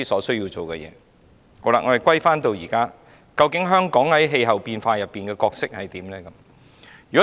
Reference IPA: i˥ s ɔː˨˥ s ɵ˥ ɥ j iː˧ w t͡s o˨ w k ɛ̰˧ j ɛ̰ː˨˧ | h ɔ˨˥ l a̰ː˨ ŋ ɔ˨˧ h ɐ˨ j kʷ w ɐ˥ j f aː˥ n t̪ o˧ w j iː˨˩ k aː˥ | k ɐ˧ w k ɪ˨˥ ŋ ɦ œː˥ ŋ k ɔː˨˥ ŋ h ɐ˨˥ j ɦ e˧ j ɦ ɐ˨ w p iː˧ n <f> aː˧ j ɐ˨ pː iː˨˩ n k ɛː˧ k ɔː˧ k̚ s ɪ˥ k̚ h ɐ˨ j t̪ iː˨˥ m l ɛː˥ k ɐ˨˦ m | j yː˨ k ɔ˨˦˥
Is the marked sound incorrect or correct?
correct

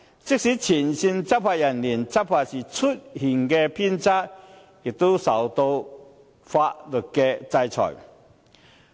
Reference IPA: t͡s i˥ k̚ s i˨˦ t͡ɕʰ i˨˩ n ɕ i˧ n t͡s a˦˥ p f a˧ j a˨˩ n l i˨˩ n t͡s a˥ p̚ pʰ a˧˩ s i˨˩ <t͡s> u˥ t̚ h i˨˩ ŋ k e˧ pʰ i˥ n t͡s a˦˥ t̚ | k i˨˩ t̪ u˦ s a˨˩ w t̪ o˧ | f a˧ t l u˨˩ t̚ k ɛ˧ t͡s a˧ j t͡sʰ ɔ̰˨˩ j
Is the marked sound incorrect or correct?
incorrect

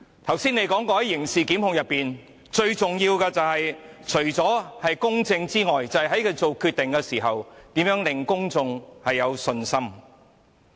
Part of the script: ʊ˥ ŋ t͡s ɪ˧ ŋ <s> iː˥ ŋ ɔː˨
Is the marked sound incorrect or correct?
incorrect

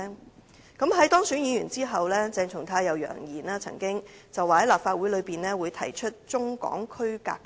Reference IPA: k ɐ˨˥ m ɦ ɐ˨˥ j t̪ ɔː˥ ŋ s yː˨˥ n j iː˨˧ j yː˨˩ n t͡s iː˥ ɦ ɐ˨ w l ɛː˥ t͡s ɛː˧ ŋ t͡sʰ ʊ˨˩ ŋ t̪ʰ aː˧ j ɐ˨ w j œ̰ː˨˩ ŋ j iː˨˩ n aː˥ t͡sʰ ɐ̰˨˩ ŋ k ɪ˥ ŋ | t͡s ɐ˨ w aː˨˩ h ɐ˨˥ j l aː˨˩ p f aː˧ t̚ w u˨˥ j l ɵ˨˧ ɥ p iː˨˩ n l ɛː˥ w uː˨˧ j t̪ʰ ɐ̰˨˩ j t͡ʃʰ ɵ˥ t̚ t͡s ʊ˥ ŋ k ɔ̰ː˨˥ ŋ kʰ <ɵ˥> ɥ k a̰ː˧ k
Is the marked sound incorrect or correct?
correct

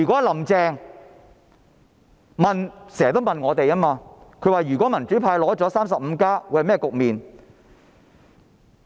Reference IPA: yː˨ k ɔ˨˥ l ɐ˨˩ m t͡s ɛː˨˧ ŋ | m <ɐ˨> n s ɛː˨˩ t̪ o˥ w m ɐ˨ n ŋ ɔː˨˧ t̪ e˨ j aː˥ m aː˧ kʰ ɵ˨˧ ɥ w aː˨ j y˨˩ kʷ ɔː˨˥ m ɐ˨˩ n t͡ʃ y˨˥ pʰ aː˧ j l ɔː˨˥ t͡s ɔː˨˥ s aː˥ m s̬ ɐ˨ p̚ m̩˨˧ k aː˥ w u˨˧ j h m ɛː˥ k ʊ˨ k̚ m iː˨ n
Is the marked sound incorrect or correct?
correct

